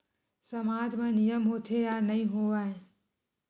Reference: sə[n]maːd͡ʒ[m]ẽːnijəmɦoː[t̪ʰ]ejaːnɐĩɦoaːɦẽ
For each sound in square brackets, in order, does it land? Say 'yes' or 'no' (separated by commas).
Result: no, yes, yes